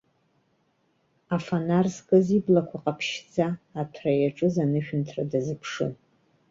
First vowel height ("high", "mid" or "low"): low